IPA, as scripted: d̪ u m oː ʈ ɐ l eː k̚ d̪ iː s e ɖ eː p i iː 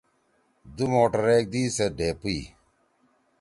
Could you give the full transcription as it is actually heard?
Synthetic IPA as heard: d̪ u m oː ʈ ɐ ɾ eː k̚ d̪ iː s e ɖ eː p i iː

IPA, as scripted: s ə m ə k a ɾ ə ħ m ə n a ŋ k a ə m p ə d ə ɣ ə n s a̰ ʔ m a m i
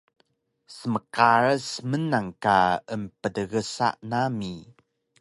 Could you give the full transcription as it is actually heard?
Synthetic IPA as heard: s ə m ə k a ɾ ə s m ə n a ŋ k a ə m p ə d ə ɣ ə s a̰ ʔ n a m i

